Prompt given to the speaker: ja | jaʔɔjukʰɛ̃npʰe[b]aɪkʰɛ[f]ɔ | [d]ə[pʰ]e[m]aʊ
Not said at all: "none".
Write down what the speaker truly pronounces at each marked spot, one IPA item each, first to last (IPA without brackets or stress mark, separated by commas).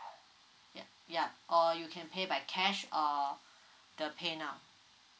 b, ʃ, d, pʰ, n